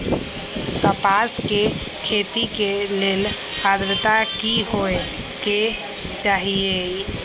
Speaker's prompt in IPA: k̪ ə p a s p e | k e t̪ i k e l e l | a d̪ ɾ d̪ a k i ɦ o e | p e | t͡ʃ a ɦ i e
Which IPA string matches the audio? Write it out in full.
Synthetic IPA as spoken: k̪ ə p a s k e | kʰ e t̪ i k e l e l | a d̪ ɾ t̪ a k i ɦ o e | k e | t͡ʃ a ɦ i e